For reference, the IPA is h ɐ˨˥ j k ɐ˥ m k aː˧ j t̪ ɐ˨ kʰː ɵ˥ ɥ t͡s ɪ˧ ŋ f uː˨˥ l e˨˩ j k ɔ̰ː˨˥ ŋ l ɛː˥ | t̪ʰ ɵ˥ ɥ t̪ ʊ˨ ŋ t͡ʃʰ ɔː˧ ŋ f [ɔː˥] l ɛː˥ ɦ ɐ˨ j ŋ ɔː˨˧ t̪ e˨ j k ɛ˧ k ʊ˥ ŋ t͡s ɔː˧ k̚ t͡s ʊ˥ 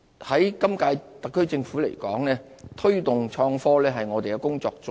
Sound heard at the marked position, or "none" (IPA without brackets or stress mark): ɔː˥